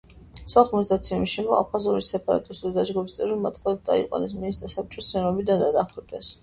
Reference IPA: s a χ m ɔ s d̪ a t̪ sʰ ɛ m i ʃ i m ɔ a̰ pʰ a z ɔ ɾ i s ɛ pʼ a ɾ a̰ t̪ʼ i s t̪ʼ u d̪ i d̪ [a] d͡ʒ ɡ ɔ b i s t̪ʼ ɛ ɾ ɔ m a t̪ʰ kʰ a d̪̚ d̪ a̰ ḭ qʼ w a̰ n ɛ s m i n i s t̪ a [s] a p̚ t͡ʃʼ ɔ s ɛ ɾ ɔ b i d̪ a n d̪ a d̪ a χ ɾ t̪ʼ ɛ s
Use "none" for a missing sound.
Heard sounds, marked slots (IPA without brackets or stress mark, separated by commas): a, s